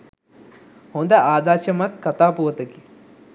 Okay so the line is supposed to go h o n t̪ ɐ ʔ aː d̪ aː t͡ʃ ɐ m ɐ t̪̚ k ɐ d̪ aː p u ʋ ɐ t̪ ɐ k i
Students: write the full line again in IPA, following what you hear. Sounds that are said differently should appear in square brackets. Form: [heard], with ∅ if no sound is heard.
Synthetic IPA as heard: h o n [d̪] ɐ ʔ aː d̪ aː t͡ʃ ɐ m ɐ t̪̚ k ɐ [t̪] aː p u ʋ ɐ t̪ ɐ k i

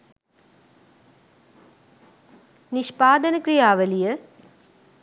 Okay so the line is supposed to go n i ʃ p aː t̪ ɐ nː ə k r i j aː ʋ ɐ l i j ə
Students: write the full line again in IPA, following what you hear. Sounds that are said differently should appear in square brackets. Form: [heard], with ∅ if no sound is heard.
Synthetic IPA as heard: n i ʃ p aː [d̪] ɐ [n] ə k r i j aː ʋ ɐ l i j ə

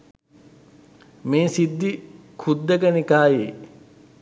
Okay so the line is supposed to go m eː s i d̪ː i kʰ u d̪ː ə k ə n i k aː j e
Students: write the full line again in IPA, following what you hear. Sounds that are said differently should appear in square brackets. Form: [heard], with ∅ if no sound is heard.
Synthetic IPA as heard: m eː s i d̪ː i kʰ u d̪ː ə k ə n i k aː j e

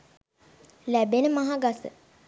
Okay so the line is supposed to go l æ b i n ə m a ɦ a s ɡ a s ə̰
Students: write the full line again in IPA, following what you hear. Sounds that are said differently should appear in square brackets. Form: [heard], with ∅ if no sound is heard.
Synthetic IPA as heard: l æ b [e] n ə m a ɦ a [∅] ɡ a s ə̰

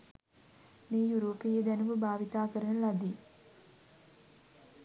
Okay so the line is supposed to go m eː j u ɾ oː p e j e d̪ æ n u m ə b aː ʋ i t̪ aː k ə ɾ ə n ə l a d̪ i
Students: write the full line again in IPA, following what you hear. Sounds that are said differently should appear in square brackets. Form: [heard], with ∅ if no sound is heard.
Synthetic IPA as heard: m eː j u ɾ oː p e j e d̪ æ n u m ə b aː ʋ i t̪ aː k ə ɾ ə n ə l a d̪ i

